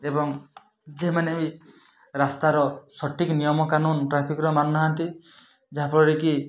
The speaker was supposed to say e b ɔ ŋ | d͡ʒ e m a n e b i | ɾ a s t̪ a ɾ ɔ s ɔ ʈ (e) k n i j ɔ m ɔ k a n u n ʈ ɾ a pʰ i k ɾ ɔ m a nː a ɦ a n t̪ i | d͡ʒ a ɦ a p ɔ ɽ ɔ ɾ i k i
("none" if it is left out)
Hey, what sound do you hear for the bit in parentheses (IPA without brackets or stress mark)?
i